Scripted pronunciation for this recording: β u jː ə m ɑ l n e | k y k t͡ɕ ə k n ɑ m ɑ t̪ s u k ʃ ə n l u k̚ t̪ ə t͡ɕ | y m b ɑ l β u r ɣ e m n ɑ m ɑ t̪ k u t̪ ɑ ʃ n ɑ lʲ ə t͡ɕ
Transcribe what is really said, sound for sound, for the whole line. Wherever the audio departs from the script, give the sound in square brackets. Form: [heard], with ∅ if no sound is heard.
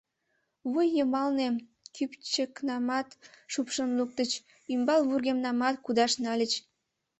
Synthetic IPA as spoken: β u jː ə m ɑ l n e | k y [p] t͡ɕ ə k n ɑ m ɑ t̪ [ʃ] u [p] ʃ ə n l u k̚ t̪ ə t͡ɕ | y m b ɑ l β u r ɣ e m n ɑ m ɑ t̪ k u [d̪] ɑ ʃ n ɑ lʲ ə t͡ɕ